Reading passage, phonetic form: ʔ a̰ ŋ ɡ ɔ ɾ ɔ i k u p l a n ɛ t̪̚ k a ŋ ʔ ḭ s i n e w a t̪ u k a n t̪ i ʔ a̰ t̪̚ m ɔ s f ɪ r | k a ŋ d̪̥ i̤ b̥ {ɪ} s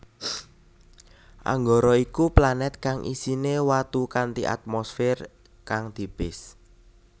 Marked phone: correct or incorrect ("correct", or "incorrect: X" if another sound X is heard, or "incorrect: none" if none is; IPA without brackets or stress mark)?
correct